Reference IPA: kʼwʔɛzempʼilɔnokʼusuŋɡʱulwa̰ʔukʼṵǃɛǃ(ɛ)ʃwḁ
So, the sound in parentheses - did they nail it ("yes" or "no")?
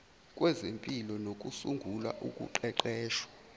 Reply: no